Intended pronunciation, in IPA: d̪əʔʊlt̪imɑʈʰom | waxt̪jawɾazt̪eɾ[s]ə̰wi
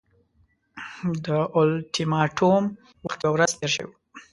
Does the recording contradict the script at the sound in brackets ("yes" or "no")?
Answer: yes